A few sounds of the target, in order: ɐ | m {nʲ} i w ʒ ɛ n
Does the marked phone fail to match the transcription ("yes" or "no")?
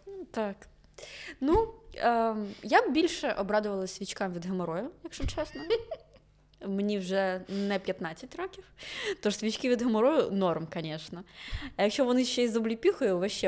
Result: no